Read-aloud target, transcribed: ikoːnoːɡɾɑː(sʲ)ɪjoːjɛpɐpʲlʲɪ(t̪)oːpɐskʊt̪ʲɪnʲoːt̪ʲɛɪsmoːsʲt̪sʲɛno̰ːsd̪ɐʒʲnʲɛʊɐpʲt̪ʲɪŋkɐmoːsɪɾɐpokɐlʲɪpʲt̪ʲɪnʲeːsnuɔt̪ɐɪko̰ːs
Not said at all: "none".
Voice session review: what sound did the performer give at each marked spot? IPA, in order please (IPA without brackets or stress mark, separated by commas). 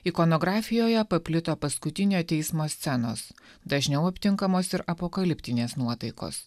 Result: fʲ, t̪